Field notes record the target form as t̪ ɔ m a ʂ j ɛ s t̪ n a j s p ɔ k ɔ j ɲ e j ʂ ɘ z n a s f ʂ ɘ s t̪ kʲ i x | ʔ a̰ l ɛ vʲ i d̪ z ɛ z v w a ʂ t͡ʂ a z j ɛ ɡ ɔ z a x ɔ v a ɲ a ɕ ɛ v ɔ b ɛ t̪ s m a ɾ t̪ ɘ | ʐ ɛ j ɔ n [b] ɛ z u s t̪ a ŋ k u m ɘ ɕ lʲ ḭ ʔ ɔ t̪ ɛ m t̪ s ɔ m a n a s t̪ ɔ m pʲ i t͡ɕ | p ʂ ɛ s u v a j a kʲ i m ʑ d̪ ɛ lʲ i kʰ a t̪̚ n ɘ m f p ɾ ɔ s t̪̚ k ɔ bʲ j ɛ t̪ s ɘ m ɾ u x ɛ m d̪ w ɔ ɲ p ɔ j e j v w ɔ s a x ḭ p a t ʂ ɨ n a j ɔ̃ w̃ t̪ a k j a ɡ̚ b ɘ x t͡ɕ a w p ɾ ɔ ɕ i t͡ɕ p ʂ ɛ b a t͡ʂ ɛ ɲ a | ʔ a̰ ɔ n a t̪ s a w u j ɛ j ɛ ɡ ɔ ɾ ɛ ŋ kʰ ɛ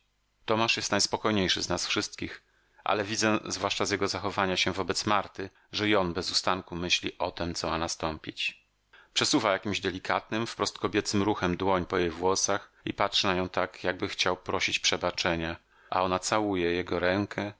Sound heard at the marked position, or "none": b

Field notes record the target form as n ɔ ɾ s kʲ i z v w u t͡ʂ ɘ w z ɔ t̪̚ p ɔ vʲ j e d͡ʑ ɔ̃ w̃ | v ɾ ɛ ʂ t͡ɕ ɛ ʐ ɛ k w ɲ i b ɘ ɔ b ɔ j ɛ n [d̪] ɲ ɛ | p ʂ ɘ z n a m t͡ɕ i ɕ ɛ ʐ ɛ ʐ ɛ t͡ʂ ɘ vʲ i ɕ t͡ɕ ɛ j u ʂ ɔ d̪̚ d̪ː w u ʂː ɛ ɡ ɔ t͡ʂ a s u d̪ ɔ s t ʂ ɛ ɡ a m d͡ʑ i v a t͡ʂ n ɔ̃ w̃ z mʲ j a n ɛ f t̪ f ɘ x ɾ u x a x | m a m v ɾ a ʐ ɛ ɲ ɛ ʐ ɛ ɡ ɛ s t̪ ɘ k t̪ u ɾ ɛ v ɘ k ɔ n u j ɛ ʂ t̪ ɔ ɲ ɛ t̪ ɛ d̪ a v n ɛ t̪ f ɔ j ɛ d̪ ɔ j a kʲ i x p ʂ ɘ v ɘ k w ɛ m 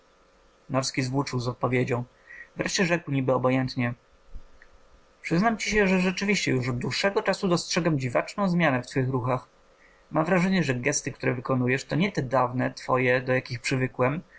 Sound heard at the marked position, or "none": t̪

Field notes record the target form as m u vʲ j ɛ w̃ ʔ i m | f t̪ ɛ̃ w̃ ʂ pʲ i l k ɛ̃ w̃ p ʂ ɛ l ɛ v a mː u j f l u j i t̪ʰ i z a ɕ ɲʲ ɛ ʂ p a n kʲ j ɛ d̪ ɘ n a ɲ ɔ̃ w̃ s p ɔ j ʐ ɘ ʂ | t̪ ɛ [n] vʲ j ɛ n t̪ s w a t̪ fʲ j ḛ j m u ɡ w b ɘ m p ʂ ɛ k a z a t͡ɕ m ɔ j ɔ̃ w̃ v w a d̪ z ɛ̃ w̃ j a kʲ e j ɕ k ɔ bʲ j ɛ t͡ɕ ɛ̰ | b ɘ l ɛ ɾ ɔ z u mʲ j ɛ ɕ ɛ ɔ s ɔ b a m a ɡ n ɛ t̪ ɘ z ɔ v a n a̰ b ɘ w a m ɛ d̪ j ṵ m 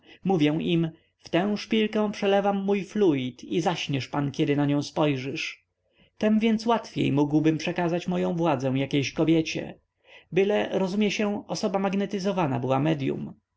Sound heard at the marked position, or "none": m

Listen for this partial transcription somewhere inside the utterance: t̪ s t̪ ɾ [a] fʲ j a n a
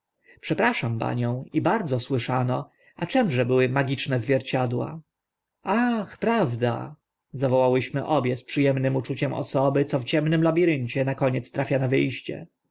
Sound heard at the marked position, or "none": a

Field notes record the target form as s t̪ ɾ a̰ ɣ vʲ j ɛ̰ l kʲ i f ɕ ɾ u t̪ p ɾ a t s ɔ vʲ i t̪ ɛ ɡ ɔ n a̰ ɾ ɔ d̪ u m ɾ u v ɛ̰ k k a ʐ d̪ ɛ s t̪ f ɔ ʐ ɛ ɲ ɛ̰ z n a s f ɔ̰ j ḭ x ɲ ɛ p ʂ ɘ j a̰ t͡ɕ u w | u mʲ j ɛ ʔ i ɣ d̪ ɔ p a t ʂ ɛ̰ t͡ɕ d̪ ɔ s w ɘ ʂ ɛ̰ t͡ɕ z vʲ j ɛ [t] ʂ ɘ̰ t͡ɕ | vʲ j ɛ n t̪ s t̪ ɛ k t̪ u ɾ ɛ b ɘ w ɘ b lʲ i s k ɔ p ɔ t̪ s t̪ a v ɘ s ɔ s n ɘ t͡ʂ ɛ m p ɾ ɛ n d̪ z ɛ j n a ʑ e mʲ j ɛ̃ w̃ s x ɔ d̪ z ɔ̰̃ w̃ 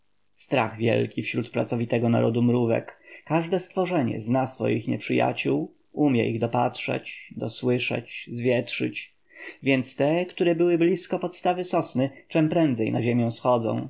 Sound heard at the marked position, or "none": t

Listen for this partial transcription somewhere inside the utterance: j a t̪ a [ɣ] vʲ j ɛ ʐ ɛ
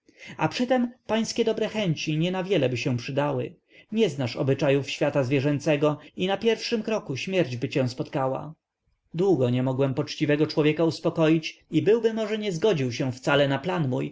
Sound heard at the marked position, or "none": z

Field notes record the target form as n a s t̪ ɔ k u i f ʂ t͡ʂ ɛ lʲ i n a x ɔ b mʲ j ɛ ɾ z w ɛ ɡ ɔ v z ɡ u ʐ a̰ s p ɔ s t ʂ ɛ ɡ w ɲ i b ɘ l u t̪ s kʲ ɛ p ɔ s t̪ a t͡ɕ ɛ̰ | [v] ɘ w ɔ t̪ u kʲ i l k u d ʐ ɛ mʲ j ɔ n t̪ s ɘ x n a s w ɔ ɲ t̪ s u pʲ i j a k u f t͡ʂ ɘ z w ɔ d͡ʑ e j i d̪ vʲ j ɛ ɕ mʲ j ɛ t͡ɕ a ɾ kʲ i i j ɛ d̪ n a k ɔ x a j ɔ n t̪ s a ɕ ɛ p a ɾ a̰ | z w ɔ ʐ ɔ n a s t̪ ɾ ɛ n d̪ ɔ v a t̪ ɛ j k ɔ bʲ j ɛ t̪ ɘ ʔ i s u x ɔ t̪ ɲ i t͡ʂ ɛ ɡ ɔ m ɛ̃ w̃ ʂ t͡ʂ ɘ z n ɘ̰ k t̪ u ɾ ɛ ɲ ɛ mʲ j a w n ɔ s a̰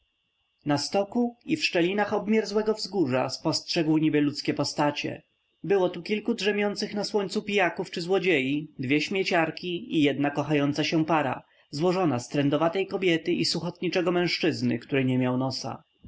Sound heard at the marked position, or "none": b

